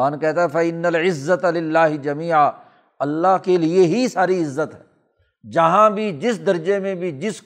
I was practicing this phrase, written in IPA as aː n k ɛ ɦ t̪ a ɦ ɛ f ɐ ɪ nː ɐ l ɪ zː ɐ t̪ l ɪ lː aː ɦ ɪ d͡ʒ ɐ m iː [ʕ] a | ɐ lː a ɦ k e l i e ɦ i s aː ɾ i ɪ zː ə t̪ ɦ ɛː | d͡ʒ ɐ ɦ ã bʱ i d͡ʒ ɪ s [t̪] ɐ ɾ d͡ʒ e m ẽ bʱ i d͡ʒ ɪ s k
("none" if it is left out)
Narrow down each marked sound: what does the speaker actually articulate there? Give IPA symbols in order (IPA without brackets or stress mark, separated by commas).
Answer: ʕ, d̪